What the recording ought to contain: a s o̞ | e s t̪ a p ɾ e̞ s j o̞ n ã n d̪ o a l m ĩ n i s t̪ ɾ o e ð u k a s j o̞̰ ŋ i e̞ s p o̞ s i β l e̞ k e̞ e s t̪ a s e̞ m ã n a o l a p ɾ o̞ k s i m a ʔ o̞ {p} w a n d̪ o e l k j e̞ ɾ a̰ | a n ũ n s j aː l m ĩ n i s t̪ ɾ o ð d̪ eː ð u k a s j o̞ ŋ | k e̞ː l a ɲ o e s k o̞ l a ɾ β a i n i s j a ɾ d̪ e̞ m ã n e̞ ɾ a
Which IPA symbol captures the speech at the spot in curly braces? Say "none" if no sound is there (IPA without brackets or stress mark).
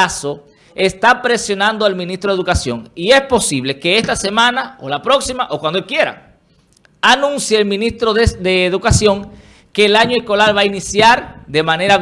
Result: k